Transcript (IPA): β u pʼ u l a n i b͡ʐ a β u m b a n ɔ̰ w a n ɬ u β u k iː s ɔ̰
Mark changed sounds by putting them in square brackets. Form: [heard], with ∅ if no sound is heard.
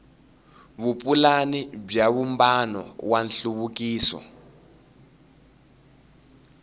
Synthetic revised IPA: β u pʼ u l a n i b͡ʐ a β u m b a n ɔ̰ w a n ɬ u β u k iː s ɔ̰